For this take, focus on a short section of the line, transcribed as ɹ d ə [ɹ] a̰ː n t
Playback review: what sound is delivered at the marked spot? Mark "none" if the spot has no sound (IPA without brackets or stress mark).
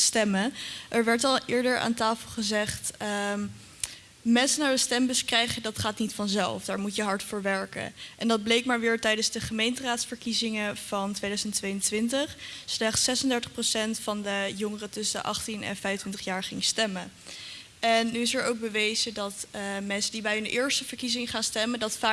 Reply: ɹ